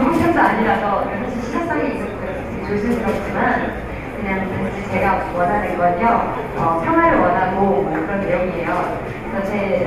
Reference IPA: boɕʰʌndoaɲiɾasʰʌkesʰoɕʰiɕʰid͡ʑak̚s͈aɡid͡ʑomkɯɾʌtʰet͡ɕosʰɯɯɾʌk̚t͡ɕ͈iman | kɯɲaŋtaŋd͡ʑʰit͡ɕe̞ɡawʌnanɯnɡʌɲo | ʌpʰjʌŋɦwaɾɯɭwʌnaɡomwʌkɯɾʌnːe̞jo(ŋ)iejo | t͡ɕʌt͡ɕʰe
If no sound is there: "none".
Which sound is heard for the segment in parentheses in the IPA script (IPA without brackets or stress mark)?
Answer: ŋ